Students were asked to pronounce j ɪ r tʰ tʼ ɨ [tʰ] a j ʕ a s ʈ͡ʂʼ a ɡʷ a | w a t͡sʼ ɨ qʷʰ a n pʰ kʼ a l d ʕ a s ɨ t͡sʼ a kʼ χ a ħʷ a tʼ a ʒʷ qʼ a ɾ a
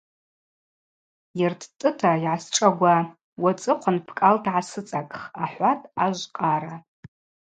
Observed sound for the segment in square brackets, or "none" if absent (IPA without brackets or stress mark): tʰ